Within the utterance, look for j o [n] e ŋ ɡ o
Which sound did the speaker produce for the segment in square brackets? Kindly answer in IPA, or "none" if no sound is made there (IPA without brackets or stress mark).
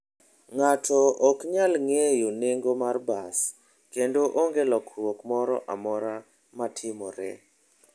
n